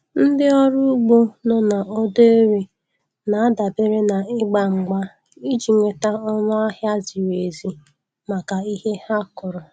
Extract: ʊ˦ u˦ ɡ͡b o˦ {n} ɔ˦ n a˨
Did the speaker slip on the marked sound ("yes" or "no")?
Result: no